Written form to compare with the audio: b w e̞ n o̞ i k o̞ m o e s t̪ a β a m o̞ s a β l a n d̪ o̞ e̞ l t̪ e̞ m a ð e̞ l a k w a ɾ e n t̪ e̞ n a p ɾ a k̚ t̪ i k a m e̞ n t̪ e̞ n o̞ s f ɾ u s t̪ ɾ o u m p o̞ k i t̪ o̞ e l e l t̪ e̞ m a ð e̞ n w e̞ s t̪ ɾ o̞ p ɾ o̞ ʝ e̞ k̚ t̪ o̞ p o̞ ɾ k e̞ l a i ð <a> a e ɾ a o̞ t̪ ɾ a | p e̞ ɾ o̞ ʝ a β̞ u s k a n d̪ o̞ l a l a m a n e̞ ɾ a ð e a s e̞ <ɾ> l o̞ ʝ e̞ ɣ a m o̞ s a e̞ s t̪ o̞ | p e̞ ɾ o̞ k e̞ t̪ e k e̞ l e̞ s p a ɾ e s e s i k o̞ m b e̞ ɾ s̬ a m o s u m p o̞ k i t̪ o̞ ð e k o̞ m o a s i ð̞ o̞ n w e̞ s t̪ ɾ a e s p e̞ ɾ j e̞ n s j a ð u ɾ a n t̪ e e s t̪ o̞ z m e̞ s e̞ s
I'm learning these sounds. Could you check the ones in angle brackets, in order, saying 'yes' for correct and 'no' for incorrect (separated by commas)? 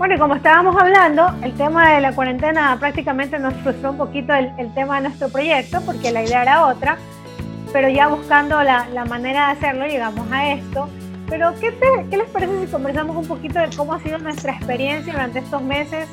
no, yes